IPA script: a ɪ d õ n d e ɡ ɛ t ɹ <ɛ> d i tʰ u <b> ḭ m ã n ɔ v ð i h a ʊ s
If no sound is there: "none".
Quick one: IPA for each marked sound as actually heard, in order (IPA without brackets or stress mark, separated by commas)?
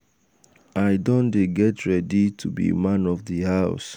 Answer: ɛ, b